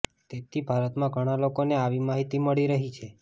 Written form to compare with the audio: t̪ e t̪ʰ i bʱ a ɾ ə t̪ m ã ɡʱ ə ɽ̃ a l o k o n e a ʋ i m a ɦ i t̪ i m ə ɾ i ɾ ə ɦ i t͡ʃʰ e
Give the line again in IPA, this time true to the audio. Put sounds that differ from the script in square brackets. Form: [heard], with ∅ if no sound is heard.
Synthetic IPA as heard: t̪ e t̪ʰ i bʱ a ɾ ə t̪ m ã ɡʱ ə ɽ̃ a l o k o n e a ʋ i m a ɦ i t̪ i m ə [ɭ] i ɾ ə ɦ i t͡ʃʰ e